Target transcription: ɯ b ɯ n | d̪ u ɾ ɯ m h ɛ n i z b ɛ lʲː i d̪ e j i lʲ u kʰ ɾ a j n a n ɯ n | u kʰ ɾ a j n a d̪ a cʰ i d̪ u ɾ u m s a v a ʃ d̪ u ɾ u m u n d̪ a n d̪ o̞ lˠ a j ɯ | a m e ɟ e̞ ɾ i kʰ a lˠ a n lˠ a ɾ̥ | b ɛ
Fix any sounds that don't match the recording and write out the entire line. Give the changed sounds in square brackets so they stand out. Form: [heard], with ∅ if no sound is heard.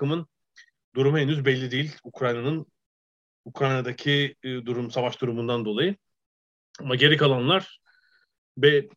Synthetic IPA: ɯ [m] ɯ n | d̪ u ɾ [u] m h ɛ n [y] z b ɛ lʲː i d̪ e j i lʲ u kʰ ɾ a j n a n ɯ n | u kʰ ɾ a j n a d̪ a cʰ i d̪ u ɾ u m s a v a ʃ d̪ u ɾ u m u n d̪ a n d̪ o̞ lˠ a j ɯ | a m [a] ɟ e̞ ɾ i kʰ a lˠ a n lˠ a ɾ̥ | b ɛ